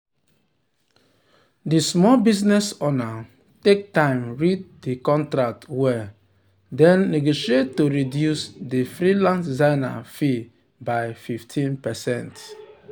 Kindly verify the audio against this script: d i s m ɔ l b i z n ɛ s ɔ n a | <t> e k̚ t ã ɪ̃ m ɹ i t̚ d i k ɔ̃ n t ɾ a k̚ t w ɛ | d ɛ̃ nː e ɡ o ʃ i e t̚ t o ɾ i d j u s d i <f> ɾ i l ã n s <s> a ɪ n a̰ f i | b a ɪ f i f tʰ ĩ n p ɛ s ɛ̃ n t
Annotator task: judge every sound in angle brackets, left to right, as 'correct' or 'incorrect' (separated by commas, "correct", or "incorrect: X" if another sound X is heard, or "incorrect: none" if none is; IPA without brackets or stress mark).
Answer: correct, correct, incorrect: z